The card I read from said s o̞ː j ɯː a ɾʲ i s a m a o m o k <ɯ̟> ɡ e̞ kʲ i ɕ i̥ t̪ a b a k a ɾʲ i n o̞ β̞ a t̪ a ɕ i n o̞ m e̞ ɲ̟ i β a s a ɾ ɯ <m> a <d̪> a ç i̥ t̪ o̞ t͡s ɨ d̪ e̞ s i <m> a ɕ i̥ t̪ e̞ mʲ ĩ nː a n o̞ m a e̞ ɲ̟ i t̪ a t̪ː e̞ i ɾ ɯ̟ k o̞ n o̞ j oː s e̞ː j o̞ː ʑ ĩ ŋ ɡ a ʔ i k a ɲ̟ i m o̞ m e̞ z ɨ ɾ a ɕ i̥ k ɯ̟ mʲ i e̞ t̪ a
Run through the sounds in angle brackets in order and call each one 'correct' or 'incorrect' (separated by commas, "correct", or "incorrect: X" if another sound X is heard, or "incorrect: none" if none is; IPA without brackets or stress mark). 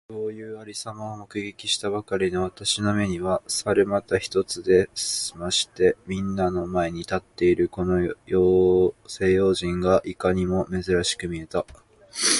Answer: correct, correct, incorrect: t̪, correct